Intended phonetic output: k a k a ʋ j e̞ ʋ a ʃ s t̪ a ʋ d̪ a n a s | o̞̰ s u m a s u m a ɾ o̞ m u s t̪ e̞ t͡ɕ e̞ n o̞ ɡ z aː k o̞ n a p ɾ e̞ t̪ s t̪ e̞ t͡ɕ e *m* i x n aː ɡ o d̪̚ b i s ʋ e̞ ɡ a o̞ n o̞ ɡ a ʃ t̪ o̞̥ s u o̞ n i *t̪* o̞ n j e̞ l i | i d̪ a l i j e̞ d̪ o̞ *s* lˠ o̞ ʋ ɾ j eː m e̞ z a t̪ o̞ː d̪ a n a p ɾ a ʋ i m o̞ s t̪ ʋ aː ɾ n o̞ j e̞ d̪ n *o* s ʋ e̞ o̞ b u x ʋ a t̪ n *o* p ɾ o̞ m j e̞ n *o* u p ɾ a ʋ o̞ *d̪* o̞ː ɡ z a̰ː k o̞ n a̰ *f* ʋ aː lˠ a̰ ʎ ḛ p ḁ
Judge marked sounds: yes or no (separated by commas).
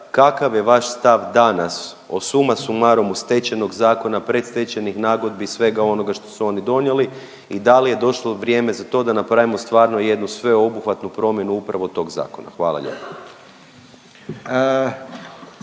no, no, no, no, no, no, no, no